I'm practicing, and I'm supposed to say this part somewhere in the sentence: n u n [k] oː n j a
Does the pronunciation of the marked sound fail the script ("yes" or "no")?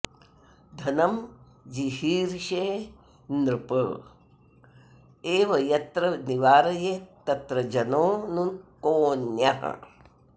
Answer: no